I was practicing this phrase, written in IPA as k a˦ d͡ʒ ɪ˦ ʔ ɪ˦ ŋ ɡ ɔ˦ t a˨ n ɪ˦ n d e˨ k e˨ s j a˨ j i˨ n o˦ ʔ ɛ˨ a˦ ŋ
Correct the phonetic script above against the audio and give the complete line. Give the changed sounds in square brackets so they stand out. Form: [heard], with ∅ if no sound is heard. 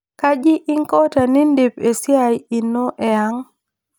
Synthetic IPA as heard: k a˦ d͡ʒ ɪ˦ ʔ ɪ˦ ŋ [k] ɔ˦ t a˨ n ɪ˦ n d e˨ [p] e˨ s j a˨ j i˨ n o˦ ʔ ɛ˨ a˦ ŋ